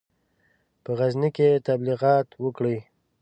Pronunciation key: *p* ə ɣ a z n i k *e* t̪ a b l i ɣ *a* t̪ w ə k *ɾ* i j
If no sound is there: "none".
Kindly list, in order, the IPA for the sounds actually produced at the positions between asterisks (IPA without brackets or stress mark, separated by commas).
p, e, ɑ, ɽ